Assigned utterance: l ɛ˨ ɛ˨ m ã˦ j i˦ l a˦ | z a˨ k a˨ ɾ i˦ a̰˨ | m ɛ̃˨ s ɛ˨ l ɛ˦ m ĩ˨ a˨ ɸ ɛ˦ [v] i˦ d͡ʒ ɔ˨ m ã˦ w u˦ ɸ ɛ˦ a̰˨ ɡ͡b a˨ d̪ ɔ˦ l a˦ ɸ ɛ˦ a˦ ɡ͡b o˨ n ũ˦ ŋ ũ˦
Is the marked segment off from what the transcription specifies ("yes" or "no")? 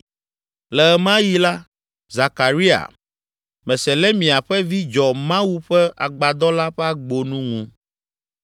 no